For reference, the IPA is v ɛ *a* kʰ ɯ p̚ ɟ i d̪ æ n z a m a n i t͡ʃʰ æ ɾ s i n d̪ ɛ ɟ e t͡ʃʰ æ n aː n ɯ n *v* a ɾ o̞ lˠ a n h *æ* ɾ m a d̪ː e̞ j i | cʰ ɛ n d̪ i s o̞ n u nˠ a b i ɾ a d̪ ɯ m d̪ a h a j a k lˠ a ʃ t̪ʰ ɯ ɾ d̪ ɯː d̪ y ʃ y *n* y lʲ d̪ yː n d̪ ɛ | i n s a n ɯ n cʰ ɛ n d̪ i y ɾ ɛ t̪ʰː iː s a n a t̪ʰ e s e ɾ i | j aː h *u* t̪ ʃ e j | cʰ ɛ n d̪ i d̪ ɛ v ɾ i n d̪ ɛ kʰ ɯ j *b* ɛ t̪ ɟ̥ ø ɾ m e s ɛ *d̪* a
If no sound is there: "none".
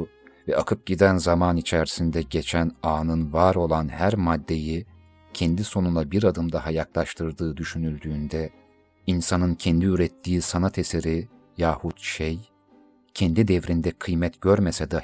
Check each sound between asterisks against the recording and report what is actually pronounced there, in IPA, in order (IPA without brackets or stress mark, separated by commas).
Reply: a, v, æ, n, u, m, d̪